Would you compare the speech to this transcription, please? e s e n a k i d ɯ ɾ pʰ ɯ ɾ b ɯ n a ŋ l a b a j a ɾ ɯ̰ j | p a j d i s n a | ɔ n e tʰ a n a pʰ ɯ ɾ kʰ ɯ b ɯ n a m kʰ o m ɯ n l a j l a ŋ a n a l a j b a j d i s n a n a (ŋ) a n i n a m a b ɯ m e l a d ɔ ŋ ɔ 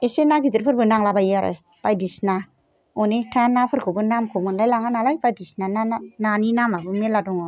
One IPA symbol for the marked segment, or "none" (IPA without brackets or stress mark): n